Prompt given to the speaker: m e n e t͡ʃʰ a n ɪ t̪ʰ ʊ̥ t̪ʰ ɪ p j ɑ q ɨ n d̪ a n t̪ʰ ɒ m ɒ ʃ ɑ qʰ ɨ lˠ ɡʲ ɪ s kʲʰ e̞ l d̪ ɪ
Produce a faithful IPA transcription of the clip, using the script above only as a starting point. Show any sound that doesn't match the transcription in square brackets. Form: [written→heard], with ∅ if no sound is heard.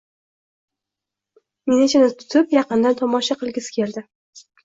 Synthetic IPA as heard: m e n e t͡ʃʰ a n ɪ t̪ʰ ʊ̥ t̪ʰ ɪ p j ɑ q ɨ n d̪ a n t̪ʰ ɒ m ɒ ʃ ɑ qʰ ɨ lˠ ɡʲ ɪ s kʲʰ e̞ l d̪ ɪ

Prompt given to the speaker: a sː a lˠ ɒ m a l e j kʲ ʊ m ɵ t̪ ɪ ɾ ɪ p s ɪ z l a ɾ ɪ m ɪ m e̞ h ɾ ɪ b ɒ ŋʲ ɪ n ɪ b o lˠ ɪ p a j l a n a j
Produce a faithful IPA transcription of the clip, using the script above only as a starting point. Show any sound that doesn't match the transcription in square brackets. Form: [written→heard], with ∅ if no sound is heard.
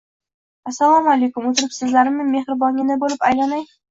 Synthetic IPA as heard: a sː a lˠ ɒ m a l e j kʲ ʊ m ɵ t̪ ɪ ɾ ɪ p s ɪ z l a ɾ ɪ m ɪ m e̞ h ɾ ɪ b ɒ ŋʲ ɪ n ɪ b o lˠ ɪ p a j l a n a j

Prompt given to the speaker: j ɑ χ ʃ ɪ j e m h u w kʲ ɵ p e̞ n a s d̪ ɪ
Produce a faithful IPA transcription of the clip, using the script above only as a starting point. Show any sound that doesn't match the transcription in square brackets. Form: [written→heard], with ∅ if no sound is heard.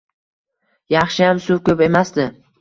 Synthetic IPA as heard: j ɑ χ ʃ ɪ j [e→a] m [h→s] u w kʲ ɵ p e̞ [n→m] a s d̪ ɪ

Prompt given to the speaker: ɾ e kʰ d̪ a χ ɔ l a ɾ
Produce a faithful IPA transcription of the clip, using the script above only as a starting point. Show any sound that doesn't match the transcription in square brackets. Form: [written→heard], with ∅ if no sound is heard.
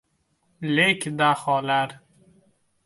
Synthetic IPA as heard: [ɾ→l] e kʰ d̪ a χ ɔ l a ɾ

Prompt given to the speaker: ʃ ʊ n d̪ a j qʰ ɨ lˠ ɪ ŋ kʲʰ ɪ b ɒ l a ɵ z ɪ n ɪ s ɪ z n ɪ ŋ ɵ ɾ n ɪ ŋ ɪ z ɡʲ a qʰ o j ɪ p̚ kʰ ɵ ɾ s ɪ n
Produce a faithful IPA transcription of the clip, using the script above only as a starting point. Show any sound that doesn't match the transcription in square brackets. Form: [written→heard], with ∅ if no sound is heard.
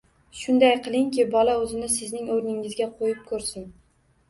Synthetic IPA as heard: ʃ ʊ n d̪ a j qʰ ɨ lˠ ɪ ŋ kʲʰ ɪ b ɒ l a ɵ z ɪ n ɪ s ɪ z n ɪ ŋ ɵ ɾ n ɪ ŋ ɪ z ɡʲ a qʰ o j ɪ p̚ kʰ ɵ ɾ s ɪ n

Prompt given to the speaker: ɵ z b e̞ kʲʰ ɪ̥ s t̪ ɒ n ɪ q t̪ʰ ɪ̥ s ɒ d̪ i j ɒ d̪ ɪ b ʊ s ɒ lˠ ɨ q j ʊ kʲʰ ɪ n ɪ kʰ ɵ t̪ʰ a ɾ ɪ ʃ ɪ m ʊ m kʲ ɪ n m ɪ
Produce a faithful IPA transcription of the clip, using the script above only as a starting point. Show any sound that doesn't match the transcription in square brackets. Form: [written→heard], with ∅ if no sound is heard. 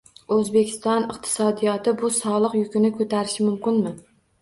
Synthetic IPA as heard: ɵ z b e̞ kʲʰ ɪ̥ s t̪ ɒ n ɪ q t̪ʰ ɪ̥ s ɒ d̪ i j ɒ [d̪→t̪] ɪ b ʊ s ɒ lˠ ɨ q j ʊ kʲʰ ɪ n ɪ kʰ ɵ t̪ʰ a ɾ ɪ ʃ ɪ m ʊ m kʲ ɪ n m ɪ

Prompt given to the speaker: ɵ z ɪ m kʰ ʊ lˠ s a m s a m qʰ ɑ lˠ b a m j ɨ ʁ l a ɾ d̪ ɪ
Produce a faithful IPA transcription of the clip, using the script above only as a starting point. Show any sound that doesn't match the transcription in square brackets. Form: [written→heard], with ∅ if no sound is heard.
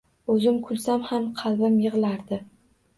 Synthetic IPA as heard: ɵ z ɪ m kʰ ʊ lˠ s a m [s→h] a m qʰ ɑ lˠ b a m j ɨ ʁ l a ɾ d̪ ɪ

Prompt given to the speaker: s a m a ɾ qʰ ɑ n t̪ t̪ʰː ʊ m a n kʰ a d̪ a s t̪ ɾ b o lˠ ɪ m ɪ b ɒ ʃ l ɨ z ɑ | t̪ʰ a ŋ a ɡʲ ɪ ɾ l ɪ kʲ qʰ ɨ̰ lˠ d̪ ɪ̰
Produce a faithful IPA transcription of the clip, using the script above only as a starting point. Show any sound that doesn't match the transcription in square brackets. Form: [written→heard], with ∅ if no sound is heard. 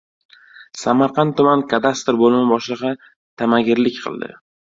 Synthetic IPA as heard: s a m a ɾ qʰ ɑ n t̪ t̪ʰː ʊ m a n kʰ a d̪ a s t̪ ɾ b o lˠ ɪ m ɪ b ɒ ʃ l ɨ [z→ʁ] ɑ | t̪ʰ a [ŋ→m] a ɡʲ ɪ ɾ l ɪ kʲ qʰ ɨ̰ lˠ d̪ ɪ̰

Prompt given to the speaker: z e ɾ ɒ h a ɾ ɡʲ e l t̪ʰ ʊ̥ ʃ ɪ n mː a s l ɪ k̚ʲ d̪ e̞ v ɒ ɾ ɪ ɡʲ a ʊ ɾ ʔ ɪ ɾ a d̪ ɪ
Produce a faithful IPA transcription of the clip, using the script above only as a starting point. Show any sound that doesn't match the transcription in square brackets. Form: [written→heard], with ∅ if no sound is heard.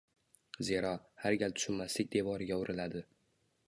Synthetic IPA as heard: z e ɾ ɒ h a ɾ ɡʲ [e→a] l t̪ʰ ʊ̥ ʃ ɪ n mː a s l ɪ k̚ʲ d̪ e̞ v ɒ ɾ ɪ ɡʲ a ʊ ɾ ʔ ɪ [ɾ→l] a d̪ ɪ

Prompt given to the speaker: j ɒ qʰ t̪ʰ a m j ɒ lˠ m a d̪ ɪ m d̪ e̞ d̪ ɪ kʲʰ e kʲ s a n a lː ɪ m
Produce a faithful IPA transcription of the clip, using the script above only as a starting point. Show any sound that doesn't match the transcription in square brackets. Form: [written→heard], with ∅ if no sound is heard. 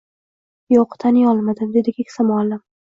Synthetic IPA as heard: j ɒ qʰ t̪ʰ a [m→n] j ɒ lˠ m a d̪ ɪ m d̪ e̞ d̪ ɪ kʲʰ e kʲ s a [n→m] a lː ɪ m

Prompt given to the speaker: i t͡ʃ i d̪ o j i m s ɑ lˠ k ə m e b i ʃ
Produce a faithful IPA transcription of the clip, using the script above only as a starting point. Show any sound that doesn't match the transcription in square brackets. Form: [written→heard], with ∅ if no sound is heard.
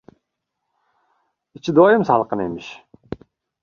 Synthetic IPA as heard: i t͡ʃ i d̪ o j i m s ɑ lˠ [k→q] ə [m→n] e [b→m] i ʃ

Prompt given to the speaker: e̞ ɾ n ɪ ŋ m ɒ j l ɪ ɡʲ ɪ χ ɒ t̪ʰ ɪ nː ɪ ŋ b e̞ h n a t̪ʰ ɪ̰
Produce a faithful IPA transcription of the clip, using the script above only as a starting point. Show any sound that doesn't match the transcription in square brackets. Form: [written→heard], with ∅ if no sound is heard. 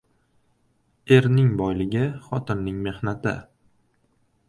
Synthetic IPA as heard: e̞ ɾ n ɪ ŋ [m→b] ɒ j l ɪ ɡʲ ɪ χ ɒ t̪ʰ ɪ nː ɪ ŋ [b→m] e̞ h n a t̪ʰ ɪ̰

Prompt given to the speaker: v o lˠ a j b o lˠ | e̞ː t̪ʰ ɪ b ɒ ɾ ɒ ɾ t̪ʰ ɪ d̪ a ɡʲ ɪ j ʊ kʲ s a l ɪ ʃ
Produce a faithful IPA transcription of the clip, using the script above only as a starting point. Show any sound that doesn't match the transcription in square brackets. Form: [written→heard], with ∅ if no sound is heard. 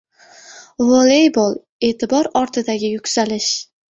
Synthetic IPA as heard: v o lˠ [a→e] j b o lˠ | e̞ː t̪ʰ ɪ b ɒ ɾ ɒ ɾ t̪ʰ ɪ d̪ a ɡʲ ɪ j ʊ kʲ s a l ɪ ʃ

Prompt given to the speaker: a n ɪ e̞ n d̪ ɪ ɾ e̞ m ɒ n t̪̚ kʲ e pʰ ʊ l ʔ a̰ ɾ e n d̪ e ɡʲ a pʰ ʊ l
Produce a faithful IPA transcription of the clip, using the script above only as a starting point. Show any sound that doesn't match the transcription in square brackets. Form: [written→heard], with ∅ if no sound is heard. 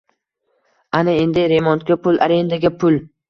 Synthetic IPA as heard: a n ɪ e̞ n d̪ ɪ ɾ e̞ m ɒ n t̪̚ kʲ [e→a] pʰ ʊ l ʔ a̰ ɾ e n d̪ [e→a] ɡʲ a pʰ ʊ l

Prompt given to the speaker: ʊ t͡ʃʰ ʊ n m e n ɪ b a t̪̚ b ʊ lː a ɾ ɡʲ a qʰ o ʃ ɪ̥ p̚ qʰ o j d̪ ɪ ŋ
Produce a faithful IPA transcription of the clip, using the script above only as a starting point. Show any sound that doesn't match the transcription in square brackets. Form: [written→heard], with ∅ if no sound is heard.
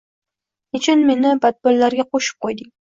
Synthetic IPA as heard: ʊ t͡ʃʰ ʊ n m e n ɪ b a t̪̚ b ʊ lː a ɾ ɡʲ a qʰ o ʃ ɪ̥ p̚ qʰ o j d̪ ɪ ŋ

